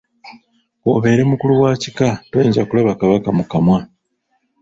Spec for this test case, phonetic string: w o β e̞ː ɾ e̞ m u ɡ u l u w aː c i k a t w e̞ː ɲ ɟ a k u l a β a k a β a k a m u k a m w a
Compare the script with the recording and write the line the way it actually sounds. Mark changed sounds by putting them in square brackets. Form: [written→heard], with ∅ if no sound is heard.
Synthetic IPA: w o β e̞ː ɾ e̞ m u [ɡ→k] u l u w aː c i k a t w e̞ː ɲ ɟ a k u l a β a k a β a k a m u k a m w a